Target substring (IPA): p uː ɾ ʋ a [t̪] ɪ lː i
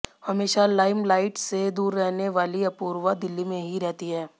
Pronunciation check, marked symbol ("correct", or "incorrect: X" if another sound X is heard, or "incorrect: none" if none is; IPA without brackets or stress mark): incorrect: d̪